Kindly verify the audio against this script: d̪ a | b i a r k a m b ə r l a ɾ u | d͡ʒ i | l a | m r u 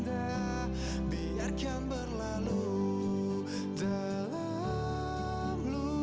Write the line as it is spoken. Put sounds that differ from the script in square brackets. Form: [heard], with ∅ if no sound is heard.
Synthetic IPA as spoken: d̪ a | b i a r k a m b ə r l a [l] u | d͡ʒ [a] | l a | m [l] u